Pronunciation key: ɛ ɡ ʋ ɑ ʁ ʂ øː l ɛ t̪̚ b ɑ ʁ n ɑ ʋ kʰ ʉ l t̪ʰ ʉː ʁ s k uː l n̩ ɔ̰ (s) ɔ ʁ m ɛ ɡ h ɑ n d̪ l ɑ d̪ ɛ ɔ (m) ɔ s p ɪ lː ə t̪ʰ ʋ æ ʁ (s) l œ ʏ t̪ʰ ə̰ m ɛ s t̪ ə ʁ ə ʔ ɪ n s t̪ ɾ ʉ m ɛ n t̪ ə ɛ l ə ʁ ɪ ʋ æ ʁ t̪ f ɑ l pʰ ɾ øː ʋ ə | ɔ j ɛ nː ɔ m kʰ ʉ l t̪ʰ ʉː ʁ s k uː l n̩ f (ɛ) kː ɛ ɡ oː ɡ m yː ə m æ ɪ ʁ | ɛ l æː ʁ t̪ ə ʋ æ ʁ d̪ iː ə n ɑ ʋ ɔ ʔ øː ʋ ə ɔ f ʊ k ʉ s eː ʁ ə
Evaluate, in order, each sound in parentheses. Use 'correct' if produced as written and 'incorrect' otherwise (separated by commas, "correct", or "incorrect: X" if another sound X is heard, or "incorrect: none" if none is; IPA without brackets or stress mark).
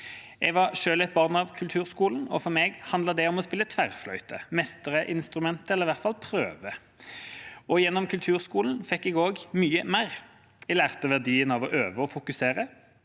incorrect: f, correct, incorrect: f, correct